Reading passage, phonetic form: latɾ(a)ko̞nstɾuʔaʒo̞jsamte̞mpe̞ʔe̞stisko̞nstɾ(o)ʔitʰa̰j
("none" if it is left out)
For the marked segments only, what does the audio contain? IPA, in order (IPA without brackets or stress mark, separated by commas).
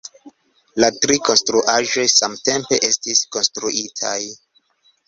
i, u